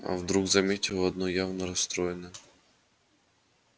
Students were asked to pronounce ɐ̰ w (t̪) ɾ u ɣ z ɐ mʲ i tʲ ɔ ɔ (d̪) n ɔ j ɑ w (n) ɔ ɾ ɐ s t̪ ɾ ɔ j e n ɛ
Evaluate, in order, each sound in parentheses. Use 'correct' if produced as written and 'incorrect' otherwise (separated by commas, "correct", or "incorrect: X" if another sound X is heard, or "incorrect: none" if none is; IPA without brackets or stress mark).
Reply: incorrect: d̪, correct, correct